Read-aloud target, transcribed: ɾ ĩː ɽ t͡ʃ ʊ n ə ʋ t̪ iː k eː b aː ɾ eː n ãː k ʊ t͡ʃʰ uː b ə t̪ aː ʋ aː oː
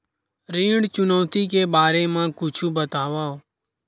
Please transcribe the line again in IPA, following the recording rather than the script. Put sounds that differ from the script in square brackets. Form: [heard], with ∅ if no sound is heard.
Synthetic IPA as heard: ɾ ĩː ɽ t͡ʃ ʊ n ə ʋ t̪ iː k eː b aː ɾ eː [m] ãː k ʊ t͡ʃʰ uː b ə t̪ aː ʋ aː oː